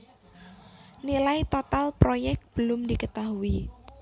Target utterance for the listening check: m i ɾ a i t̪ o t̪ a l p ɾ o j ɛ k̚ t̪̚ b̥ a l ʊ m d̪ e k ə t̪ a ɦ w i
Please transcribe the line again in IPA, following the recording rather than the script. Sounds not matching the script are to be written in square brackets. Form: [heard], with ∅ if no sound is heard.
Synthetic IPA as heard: [n] i [l] a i t̪ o t̪ a l p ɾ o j ɛ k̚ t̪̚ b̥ [ə] l ʊ m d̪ [i] k ə t̪ a ɦ [u] i

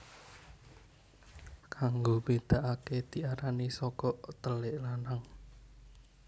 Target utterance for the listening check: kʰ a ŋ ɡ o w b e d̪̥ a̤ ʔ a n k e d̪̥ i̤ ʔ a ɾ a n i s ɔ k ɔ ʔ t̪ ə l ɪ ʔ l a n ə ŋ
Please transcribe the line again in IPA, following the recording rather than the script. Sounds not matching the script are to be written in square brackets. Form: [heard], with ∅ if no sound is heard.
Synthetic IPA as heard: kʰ a ŋ ɡ o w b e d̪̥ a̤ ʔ a [∅] k e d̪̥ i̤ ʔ a ɾ a n i s ɔ k ɔ ʔ t̪ ə l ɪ ʔ l a n [a] ŋ

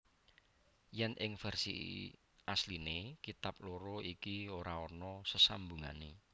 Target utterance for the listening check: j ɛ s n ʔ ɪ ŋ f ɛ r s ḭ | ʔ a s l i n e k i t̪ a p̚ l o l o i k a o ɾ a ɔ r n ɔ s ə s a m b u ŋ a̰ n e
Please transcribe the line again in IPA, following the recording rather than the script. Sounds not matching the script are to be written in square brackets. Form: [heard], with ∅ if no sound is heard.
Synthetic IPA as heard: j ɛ [∅] n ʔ ɪ ŋ f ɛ r s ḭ | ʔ a s l i n e k i t̪ a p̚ l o [ɾ] o i k [i] o ɾ a ɔ r n ɔ s ə s a m b u ŋ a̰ n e

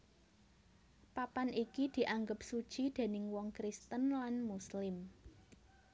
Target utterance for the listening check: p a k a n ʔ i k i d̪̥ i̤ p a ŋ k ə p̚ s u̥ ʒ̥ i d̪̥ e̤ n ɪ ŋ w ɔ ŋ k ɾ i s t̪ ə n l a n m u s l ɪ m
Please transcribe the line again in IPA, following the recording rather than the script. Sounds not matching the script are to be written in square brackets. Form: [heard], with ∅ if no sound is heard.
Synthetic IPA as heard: p a [p] a n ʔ i k i d̪̥ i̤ [ʔ] a ŋ [ɡ] ə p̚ s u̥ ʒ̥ i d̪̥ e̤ n ɪ ŋ w ɔ ŋ k ɾ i s t̪ ə n l a n m u s l ɪ m

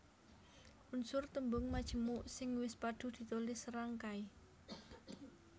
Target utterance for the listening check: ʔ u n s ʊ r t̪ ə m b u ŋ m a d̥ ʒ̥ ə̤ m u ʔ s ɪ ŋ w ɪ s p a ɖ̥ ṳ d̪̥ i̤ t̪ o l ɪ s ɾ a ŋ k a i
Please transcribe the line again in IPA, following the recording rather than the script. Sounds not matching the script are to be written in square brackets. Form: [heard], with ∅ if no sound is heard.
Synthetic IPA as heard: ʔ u n s ʊ r t̪ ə m b [ʊ] ŋ m a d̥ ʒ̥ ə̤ m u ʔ s ɪ ŋ w ɪ s p a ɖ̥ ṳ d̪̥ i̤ t̪ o l ɪ s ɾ a ŋ k a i

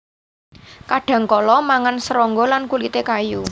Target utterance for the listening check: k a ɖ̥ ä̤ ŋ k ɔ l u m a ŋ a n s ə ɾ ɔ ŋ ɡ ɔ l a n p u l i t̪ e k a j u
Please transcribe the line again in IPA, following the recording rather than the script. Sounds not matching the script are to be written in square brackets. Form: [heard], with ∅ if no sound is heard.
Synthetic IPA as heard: k a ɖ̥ ä̤ ŋ k ɔ l [ɔ] m a ŋ a n s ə ɾ ɔ ŋ ɡ ɔ l a n [k] u l i t̪ e k a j u

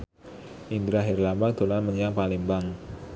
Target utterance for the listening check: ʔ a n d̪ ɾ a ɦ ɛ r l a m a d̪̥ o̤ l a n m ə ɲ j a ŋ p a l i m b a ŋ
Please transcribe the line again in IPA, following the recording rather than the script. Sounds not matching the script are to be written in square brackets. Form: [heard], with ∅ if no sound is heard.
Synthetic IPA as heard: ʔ [i] n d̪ ɾ a ɦ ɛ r l a m a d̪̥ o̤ l a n m ə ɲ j a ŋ p a l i m b a ŋ

